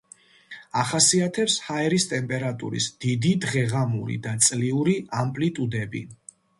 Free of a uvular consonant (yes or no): no